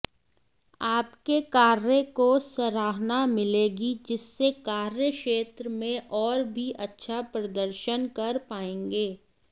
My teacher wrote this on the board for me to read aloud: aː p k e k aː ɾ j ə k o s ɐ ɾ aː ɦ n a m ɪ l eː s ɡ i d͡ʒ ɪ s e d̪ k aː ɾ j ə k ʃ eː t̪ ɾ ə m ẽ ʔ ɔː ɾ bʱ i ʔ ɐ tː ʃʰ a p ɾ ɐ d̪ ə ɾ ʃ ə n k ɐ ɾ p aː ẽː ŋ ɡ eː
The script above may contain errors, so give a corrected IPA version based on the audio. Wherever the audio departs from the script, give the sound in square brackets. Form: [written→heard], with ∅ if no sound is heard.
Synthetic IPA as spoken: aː p k e k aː ɾ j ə k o s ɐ ɾ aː ɦ n a m ɪ l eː [s→∅] ɡ i d͡ʒ ɪ [s→sː] e [d̪→∅] k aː ɾ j ə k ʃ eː t̪ ɾ ə m ẽ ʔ ɔː ɾ bʱ i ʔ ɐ tː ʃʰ a p ɾ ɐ d̪ ə ɾ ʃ ə n k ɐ ɾ p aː ẽː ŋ ɡ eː